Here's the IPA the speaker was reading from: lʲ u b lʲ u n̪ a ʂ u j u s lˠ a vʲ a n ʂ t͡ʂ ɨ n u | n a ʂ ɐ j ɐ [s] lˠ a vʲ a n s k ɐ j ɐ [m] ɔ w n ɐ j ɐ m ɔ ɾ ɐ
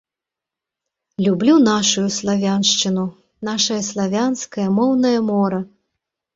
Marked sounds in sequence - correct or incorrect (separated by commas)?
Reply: correct, correct